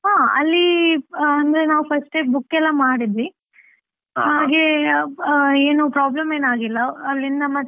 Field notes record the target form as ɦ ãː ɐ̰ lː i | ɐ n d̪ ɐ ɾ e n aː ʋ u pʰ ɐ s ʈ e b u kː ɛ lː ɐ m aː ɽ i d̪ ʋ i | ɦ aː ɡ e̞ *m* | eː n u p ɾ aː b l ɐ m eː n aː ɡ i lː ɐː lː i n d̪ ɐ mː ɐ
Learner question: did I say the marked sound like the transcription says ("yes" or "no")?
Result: no